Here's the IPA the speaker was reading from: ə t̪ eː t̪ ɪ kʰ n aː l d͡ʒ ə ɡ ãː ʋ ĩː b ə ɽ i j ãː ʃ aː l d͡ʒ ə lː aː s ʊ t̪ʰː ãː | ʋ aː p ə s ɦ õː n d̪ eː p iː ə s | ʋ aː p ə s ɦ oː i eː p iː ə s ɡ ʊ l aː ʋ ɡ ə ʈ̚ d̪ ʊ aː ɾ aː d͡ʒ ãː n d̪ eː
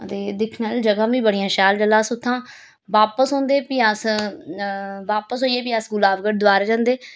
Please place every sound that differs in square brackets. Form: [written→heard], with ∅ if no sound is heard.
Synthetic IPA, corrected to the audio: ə t̪ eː [t̪→d̪] ɪ kʰ n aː l d͡ʒ ə ɡ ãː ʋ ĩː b ə ɽ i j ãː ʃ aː l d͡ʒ ə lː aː s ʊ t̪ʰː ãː | ʋ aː p ə s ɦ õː n d̪ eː p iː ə s | ʋ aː p ə s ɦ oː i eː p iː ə s ɡ ʊ l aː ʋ ɡ ə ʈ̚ d̪ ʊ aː ɾ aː d͡ʒ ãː n d̪ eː